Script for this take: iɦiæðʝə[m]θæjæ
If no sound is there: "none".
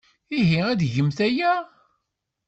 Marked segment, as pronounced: m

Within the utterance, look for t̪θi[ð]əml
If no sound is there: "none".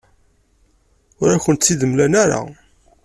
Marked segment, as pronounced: ð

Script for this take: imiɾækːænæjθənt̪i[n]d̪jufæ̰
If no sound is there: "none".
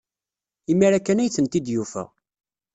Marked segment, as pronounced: none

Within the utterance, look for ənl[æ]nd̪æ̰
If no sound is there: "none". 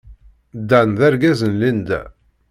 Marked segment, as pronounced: i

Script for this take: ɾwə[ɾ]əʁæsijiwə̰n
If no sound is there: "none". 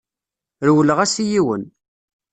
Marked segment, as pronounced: l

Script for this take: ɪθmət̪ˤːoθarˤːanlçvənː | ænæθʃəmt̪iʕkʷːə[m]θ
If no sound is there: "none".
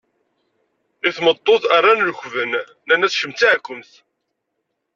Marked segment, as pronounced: m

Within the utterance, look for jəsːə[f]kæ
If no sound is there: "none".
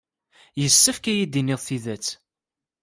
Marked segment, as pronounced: f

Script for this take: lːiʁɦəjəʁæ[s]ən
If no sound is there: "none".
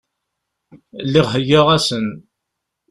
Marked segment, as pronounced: s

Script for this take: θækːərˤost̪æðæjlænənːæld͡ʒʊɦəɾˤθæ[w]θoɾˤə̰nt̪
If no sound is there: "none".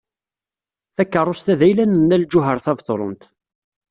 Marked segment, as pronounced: v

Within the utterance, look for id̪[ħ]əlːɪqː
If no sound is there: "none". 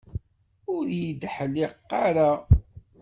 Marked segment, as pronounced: ħ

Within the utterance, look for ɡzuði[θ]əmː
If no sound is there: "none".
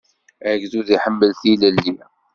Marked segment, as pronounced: ħ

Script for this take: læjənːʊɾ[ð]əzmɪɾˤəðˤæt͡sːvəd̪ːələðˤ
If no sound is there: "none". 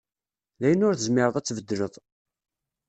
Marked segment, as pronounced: θ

